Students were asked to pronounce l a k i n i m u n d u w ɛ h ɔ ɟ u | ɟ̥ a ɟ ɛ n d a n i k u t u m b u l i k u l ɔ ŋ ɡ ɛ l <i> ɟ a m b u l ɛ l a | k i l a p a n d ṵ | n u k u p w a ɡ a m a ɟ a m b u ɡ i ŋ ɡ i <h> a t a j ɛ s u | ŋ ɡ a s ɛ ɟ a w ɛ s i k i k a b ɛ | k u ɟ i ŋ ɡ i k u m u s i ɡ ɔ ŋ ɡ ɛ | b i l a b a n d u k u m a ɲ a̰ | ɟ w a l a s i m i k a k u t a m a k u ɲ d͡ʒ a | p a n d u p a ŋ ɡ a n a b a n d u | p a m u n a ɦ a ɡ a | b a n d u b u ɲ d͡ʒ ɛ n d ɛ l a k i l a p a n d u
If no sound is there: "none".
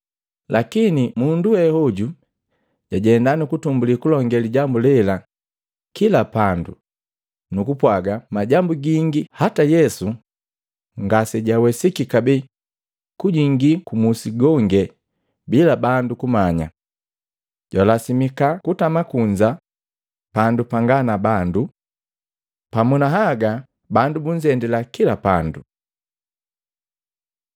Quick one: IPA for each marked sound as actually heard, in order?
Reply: i, h

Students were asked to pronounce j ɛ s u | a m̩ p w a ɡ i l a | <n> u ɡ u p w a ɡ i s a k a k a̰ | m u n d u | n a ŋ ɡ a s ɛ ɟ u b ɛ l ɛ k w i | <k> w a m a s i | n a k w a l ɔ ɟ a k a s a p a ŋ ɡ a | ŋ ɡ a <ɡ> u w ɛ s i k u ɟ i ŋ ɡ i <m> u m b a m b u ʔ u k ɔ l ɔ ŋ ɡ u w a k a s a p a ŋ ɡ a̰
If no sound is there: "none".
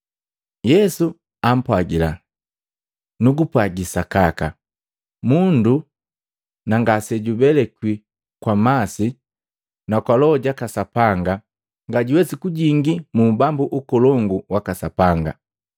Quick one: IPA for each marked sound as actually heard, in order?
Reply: n, k, ɟ, m

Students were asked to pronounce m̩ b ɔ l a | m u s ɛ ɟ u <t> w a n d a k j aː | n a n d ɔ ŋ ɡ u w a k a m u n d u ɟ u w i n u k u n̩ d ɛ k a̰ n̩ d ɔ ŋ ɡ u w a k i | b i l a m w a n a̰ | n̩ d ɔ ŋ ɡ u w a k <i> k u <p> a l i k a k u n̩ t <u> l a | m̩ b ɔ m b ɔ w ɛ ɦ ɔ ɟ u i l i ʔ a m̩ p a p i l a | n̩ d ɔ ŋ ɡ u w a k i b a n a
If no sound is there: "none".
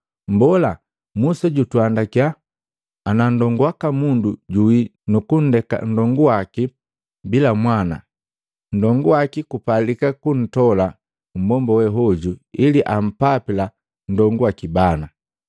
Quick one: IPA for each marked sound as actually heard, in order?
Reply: t, i, p, ɔ

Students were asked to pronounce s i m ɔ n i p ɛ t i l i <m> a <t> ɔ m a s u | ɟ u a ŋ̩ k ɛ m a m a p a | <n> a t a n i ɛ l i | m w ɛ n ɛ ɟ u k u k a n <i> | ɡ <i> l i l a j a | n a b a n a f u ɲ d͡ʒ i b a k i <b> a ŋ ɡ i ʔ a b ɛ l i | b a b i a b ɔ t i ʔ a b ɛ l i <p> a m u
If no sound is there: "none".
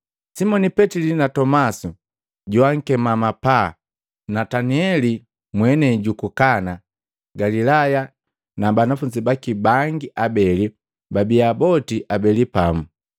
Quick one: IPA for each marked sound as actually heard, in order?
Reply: n, t, n, a, a, b, p

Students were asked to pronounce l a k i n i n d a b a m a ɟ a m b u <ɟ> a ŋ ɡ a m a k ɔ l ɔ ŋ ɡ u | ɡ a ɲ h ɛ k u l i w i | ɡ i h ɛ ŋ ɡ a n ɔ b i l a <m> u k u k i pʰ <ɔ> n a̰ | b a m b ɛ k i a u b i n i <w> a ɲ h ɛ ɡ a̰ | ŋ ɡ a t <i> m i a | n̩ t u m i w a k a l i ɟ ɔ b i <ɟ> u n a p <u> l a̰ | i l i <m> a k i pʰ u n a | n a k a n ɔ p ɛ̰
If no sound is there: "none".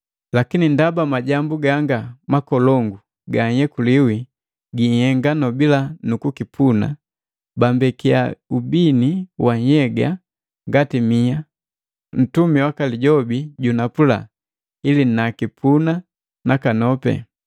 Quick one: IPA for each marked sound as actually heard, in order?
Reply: ɡ, n, u, w, i, ɟ, u, n

